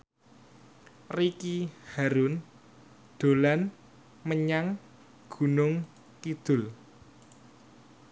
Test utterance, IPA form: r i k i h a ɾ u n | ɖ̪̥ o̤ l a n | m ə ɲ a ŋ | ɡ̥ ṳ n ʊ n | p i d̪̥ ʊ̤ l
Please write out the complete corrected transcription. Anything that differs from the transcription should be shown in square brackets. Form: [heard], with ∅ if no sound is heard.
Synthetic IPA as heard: r i k i h a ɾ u n | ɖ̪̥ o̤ l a n | m ə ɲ a ŋ | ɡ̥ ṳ n ʊ [ŋ] | [k] i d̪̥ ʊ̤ l